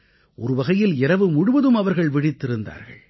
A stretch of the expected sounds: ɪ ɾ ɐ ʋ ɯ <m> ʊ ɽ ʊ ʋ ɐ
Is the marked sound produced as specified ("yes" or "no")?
yes